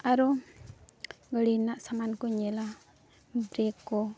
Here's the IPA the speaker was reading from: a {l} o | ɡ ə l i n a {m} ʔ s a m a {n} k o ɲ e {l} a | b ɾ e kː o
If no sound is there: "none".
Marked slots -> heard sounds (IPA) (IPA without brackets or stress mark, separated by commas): ɾ, none, n, l